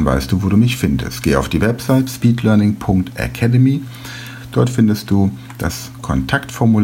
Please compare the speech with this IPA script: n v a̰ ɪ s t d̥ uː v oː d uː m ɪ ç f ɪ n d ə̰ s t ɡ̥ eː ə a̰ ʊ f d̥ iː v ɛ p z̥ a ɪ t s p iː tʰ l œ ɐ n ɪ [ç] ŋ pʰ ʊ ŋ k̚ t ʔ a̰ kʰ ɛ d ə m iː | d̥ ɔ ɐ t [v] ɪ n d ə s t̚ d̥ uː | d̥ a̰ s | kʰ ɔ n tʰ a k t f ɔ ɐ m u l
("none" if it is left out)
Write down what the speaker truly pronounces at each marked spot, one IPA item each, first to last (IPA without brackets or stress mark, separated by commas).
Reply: none, f